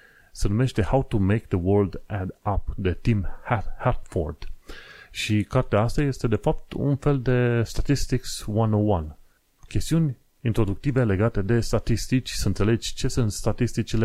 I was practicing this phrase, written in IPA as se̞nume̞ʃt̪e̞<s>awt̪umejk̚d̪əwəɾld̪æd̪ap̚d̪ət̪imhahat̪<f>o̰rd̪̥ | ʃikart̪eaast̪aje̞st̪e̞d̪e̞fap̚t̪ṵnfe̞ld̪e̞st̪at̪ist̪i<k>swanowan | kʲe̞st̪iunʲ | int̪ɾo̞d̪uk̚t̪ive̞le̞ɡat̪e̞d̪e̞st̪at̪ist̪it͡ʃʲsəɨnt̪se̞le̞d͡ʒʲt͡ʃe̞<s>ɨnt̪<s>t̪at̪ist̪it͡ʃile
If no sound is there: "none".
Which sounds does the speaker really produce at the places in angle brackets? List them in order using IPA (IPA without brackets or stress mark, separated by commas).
h, f, k, s, s